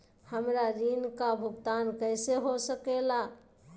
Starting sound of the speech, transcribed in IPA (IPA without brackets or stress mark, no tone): h